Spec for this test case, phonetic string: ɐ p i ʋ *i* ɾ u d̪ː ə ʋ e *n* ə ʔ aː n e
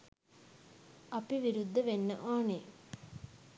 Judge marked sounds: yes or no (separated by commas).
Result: yes, no